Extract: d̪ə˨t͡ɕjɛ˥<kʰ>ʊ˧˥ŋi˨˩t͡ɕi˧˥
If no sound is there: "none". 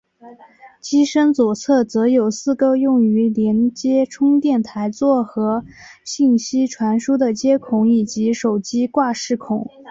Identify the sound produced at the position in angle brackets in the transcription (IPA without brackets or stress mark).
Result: kʰ